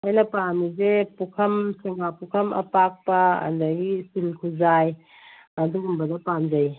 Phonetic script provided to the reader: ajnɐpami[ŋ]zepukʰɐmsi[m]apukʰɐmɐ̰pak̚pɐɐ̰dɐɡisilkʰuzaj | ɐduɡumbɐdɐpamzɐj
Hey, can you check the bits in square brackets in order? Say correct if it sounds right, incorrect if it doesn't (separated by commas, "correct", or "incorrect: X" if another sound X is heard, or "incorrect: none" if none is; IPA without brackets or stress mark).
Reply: incorrect: none, incorrect: ŋ